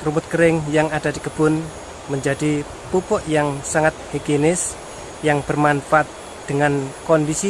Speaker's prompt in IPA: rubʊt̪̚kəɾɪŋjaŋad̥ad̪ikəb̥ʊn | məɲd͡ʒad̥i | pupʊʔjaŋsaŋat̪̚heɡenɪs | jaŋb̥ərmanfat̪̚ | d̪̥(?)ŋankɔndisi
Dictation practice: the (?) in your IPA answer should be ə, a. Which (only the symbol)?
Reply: ə